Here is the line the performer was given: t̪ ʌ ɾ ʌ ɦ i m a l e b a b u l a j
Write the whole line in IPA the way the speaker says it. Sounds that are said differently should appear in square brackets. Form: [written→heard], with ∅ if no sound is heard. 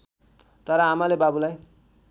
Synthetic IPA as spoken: t̪ ʌ ɾ ʌ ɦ [i→a] m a l e b a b u l a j